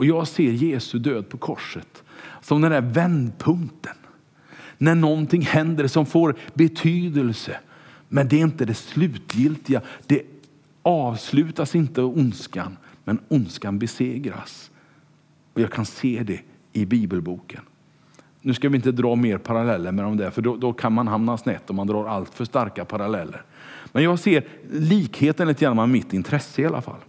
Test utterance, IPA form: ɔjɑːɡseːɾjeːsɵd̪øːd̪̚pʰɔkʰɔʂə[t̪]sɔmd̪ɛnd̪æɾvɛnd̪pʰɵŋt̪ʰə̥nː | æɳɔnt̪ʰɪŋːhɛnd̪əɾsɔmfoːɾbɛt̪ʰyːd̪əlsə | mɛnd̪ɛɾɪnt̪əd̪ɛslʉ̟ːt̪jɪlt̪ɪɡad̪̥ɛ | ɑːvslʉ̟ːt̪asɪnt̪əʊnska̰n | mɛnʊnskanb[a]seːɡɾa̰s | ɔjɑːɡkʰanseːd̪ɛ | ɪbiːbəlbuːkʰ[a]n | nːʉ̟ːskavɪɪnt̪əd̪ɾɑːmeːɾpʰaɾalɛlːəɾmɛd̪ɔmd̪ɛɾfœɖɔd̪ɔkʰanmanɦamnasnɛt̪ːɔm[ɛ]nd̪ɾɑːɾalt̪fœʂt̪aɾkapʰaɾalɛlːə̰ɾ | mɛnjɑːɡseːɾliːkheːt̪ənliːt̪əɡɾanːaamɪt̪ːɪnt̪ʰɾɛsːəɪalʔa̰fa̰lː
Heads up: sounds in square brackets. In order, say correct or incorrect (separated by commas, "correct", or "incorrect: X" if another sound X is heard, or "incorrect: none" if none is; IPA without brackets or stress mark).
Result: correct, incorrect: ɛ, incorrect: ə, incorrect: a